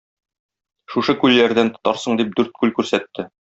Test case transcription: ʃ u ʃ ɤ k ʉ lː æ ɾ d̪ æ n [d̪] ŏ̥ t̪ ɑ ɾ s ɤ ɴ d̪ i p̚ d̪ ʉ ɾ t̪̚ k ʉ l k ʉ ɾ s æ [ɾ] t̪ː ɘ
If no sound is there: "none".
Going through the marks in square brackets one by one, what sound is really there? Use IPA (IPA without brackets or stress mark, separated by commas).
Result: t̪, none